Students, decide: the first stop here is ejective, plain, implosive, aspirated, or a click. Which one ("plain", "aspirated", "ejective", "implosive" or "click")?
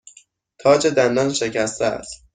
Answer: aspirated